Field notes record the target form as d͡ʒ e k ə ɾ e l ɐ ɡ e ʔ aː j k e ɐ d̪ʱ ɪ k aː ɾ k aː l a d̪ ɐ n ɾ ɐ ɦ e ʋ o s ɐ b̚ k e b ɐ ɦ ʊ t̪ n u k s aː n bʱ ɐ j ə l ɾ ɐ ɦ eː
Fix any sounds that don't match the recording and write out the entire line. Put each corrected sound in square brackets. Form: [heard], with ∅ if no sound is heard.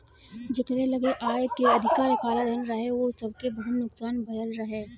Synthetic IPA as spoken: d͡ʒ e k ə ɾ e l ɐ ɡ e ʔ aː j k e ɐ d̪ʱ ɪ k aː ɾ k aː l a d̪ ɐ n ɾ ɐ ɦ e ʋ o s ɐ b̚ k e b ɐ ɦ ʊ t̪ n [ʊ] k s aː n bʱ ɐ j ə l ɾ ɐ ɦ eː